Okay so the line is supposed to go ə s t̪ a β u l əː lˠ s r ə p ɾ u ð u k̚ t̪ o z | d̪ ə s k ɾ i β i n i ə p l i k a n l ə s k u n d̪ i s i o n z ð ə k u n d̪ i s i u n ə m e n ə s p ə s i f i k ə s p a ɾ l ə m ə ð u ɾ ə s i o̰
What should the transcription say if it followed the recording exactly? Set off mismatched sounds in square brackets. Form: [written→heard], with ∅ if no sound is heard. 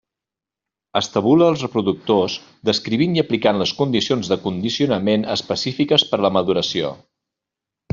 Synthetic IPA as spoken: ə s t̪ [a→ə] β u l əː lˠ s r ə p ɾ u ð u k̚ t̪ o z | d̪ ə s k ɾ i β i n i ə p l i k a n l ə s k u n d̪ i s i o n z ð ə k u n d̪ i s i u n ə m e n ə s p ə s i f i k ə s p [a→ə] ɾ l ə m ə ð u ɾ ə s i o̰